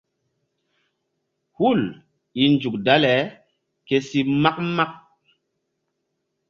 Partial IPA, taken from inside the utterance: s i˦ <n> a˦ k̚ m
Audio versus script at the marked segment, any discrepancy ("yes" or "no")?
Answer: yes